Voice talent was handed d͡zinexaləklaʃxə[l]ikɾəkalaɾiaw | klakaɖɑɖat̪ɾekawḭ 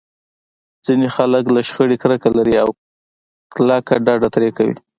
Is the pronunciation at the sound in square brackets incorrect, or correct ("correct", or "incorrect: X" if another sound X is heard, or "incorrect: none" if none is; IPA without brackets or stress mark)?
incorrect: ɽ